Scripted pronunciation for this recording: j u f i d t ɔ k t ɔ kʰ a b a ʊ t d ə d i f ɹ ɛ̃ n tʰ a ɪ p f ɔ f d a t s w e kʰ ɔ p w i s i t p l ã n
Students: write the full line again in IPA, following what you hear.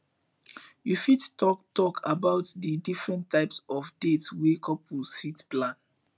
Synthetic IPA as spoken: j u f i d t ɔ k t ɔ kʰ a b a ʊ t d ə d i f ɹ ɛ̃ n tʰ a ɪ p s ɔ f d e t s w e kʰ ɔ p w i s i t p l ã n